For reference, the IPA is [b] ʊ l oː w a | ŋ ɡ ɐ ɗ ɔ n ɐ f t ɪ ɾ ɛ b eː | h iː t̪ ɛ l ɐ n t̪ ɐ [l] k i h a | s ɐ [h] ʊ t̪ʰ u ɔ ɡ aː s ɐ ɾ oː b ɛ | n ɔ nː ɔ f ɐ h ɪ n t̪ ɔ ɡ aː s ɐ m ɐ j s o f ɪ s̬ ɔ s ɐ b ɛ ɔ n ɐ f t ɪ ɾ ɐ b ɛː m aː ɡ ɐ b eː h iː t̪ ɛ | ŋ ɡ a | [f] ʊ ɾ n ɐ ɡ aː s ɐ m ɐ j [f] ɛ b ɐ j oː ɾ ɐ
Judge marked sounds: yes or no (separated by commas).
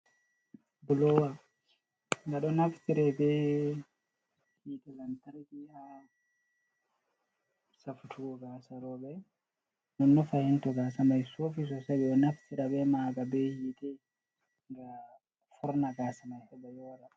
yes, no, no, yes, no